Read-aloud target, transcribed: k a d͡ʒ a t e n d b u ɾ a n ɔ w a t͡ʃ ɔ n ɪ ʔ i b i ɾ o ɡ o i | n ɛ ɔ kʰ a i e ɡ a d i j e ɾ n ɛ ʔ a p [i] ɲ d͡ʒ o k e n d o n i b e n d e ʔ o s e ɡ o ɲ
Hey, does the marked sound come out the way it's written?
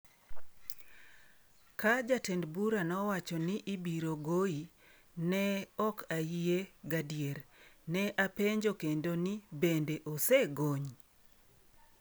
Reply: no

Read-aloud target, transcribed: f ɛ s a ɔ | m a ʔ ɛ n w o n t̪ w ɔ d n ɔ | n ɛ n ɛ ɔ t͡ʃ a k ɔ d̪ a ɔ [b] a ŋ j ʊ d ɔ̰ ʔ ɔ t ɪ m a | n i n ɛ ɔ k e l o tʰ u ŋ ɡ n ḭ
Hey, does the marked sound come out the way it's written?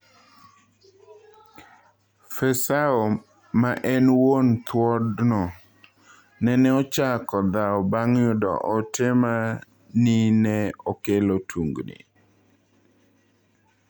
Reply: yes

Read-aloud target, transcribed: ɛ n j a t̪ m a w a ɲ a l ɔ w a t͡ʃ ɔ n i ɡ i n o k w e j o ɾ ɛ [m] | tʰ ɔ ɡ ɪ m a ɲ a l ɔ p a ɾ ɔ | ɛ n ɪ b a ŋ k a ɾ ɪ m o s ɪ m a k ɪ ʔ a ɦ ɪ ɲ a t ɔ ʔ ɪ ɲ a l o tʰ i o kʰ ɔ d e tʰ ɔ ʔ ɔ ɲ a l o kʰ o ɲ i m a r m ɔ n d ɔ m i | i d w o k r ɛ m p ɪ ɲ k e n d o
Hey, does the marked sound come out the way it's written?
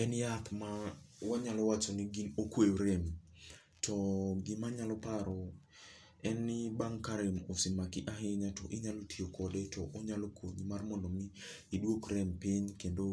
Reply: yes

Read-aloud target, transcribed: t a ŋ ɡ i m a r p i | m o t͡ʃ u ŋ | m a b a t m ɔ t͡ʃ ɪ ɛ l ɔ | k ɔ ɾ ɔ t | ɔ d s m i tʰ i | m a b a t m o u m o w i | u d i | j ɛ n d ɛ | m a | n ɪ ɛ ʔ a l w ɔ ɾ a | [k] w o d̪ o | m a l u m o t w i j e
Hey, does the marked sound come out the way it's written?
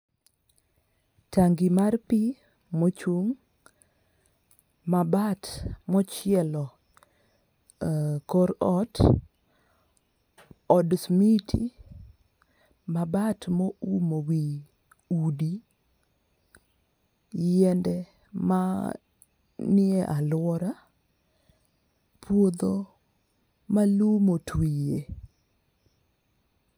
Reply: no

